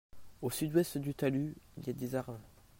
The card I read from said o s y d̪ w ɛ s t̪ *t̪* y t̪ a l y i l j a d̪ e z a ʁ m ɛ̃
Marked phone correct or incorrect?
incorrect